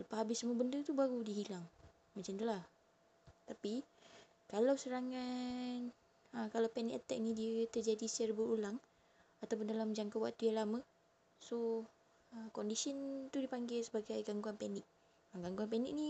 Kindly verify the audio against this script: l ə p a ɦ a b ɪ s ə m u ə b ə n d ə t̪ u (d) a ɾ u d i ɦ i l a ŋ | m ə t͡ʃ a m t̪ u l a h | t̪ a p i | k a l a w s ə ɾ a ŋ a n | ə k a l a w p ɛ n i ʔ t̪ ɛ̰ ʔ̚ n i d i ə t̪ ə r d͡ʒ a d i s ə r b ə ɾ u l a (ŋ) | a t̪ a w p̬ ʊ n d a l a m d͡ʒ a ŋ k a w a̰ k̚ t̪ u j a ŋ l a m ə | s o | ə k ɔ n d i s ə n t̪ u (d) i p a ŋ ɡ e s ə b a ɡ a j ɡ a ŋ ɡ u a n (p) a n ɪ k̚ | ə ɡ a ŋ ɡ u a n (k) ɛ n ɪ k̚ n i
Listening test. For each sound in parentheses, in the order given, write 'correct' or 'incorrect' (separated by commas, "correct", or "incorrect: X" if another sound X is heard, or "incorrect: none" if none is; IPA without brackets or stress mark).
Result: incorrect: b, correct, correct, correct, incorrect: p